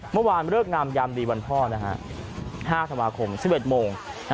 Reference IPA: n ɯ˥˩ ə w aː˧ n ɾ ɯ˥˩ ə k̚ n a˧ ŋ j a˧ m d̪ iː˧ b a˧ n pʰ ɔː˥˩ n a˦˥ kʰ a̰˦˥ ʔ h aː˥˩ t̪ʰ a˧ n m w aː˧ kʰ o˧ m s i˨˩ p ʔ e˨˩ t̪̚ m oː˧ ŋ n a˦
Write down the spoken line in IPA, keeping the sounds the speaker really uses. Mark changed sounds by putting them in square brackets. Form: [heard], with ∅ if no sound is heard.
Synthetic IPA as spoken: [m] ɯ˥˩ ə w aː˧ n ɾ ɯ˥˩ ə k̚ n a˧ [m] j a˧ m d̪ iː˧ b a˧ n pʰ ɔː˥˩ n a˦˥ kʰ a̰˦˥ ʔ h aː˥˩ t̪ʰ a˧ n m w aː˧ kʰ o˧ m s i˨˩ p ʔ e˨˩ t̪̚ m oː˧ ŋ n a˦